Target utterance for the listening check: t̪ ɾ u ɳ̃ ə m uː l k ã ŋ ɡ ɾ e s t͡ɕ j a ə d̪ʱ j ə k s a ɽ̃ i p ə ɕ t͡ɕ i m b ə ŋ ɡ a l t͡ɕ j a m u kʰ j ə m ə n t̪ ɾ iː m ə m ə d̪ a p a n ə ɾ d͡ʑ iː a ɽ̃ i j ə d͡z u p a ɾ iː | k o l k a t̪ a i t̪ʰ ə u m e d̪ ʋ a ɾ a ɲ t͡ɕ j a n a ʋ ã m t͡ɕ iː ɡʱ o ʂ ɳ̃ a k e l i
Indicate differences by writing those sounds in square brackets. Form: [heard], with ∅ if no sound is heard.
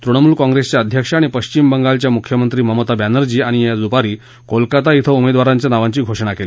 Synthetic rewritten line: t̪ ɾ u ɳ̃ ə m uː l k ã ŋ ɡ ɾ e s t͡ɕ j a ə d̪ʱ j ə k [ʂ] a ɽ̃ i p ə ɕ t͡ɕ i m b ə ŋ ɡ a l t͡ɕ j a m u kʰ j ə m ə n t̪ ɾ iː m ə m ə [t̪] a [b] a n ə ɾ d͡ʑ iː a ɽ̃ i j [a] d͡z u p a ɾ iː | k o l k a t̪ a i t̪ʰ ə u m e d̪ ʋ a ɾ a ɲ t͡ɕ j a n a ʋ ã [ɲ] t͡ɕ iː ɡʱ o ʂ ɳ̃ a k e l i